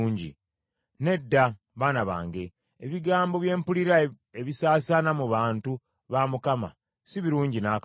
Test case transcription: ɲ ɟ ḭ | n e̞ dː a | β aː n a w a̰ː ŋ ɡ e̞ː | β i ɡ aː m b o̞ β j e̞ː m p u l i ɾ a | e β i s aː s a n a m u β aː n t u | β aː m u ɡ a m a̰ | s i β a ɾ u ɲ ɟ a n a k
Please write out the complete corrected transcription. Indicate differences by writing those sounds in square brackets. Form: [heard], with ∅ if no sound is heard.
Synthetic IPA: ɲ ɟ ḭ | n e̞ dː a | β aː n a [β] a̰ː ŋ ɡ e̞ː | β i ɡ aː m b o̞ β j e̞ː m p u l i ɾ a | e β i s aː s a n a m u β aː n t u | β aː m u [k] a m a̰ | s i β [i] ɾ [uː] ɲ ɟ [i] n a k